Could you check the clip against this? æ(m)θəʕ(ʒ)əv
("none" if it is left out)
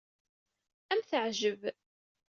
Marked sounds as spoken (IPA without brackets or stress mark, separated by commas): m, ʒ